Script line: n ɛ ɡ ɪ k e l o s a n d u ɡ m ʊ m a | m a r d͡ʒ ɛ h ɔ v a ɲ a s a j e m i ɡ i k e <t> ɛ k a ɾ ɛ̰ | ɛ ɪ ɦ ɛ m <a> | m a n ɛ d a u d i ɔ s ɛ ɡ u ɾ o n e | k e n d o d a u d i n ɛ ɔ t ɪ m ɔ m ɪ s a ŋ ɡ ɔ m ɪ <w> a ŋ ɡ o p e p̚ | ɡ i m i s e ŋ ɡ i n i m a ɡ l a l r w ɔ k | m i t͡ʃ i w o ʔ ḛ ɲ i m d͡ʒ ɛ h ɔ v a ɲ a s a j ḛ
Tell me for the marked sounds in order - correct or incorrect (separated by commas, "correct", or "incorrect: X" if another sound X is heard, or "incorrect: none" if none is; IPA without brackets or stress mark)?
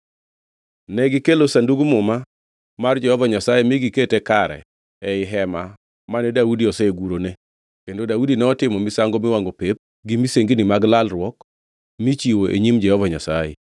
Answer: correct, correct, correct